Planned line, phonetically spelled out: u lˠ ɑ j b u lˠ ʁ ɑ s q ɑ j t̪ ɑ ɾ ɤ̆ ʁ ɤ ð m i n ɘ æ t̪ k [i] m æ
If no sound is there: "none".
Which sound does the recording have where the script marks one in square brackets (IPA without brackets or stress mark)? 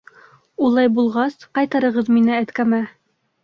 æ